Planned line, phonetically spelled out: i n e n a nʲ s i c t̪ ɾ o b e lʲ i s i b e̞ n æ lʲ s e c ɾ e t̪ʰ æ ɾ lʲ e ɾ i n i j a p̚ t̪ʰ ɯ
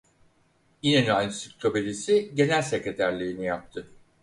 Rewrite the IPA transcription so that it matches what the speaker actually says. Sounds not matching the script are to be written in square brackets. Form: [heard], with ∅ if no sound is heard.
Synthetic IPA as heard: i n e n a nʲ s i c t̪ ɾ o b e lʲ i s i [ɟ] e̞ n æ lʲ s e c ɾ e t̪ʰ æ ɾ lʲ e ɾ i n i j a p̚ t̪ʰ ɯ